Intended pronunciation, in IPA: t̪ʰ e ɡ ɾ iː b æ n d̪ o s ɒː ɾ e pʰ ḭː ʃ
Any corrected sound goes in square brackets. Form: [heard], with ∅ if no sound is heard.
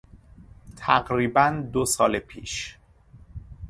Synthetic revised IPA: t̪ʰ [æ] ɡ ɾ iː b æ n d̪ o s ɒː [l] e pʰ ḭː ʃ